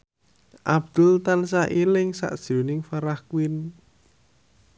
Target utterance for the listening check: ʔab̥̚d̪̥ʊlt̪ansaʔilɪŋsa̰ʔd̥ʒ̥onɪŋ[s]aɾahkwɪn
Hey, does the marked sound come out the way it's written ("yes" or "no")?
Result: no